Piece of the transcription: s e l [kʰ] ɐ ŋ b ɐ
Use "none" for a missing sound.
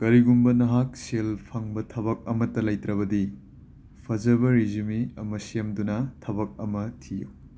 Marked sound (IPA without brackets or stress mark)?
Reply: pʰ